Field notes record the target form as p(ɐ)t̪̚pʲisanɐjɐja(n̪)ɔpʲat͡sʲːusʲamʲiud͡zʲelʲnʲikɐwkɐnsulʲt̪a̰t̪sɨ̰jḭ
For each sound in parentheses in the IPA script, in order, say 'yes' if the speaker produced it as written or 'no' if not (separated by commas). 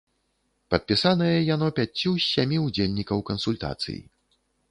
yes, yes